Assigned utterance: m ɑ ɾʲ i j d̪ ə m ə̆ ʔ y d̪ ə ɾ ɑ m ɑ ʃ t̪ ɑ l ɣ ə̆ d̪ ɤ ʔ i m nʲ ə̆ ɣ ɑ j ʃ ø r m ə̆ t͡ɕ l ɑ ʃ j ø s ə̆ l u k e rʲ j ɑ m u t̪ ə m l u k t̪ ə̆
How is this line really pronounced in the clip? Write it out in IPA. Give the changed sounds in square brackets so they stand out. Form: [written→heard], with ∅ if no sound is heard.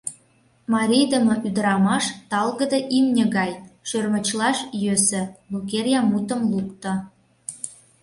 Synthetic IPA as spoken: m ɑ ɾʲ i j d̪ ə m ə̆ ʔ y d̪ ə ɾ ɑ m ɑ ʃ t̪ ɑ l ɣ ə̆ d̪ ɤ ʔ i m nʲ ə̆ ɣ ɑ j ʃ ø r m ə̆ t͡ɕ l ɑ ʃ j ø s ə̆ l u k e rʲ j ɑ m u t̪ ə m l u k t̪ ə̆

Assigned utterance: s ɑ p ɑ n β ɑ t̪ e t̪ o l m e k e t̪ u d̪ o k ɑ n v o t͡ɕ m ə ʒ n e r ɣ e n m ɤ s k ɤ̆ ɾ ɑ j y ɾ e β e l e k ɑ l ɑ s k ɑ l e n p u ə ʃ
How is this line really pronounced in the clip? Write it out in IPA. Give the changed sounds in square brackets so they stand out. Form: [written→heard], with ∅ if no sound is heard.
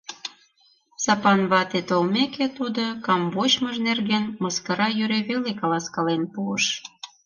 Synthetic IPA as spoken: s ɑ p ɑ n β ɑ t̪ e t̪ o l m e k e t̪ u d̪ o k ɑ [n→m] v o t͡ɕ m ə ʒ n e r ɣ e n m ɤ s k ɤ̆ ɾ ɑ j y ɾ e β e l e k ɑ l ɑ s k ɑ l e n p u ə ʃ

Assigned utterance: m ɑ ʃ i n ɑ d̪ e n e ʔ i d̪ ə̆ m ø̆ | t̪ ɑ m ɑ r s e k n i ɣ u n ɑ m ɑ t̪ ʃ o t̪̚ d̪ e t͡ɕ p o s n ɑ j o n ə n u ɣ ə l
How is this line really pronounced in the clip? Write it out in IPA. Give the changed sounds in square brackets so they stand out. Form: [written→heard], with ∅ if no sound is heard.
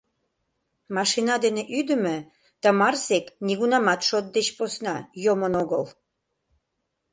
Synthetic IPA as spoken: m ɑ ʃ i n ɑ d̪ e n e ʔ [i→y] d̪ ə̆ m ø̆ | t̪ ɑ m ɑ r s e k n i ɣ u n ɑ m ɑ t̪ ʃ o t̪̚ d̪ e t͡ɕ p o s n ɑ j o [n→m] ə n [u→o] ɣ ə l

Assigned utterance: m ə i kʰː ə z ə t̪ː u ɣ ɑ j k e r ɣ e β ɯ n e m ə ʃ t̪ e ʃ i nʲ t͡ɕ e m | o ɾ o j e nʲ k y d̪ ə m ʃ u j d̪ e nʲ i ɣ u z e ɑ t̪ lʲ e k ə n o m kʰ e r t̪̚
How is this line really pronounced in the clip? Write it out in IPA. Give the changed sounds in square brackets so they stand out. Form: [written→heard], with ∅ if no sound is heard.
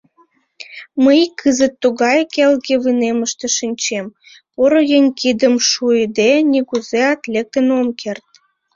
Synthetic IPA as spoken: m ə [i→j] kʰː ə z ə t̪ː u ɣ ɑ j k e [r→l] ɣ e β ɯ n e m ə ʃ t̪ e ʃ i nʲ t͡ɕ e m | o ɾ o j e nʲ k [y→i] d̪ ə m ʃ u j d̪ e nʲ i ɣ u z e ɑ t̪ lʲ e k ə n o m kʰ e r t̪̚

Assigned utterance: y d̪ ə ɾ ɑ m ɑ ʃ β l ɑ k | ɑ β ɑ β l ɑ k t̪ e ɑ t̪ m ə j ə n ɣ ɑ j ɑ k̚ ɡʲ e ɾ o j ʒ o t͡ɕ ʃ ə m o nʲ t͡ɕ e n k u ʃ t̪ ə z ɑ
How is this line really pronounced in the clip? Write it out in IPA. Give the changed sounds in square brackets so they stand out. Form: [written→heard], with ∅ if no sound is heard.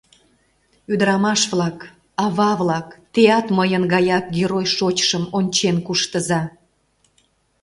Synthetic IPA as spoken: y d̪ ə ɾ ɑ m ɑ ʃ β l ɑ k | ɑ β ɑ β l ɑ k t̪ e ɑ t̪ m ə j ə n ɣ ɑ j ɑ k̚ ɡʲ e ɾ o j [ʒ→ʃ] o t͡ɕ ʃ ə m o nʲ t͡ɕ e n k u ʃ t̪ ə z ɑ

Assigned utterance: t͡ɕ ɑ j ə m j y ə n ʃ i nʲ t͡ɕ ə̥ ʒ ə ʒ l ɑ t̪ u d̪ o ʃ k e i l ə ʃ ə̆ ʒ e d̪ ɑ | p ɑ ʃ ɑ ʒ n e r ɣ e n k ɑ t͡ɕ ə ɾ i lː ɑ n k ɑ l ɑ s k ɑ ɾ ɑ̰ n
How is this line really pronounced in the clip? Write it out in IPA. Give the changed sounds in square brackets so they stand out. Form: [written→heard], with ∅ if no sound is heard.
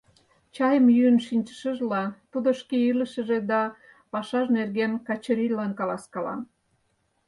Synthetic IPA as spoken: t͡ɕ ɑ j ə m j y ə n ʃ i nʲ t͡ɕ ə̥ [ʒ→ʃ] ə ʒ l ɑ t̪ u d̪ o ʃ k e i l ə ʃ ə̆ ʒ e d̪ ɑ | p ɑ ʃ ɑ ʒ n e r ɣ e n k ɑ t͡ɕ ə ɾ i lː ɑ n k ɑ l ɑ s k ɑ [ɾ→l] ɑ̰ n

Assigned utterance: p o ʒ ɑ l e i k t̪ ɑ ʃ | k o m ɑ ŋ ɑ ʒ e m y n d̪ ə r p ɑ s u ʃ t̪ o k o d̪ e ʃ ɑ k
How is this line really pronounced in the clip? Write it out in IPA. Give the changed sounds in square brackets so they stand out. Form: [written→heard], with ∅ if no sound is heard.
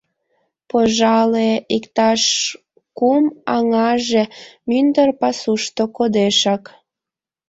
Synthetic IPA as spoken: p o ʒ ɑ l e i k t̪ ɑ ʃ | k [o→u] m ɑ ŋ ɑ ʒ e m y n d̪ ə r p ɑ s u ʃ t̪ o k o d̪ e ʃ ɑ k

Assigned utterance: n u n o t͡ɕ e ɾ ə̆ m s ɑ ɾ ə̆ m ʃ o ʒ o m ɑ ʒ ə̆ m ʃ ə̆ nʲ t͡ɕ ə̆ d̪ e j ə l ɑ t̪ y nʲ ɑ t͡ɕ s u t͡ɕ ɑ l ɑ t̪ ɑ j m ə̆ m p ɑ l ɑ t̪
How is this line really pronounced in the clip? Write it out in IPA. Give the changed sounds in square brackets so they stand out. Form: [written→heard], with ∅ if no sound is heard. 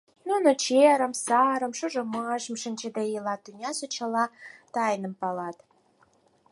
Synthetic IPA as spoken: n u n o t͡ɕ e ɾ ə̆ m s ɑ ɾ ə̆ m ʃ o ʒ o m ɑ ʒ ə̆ m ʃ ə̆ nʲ t͡ɕ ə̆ d̪ e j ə l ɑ t̪ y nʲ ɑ [t͡ɕ→∅] s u t͡ɕ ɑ l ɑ t̪ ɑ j [m→n] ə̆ m p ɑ l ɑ t̪

